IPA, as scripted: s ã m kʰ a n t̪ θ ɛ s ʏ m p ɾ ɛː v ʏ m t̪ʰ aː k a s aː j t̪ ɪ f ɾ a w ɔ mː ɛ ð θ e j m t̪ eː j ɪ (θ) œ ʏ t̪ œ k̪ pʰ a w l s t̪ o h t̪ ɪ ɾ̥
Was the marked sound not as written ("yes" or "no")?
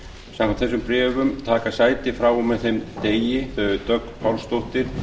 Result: no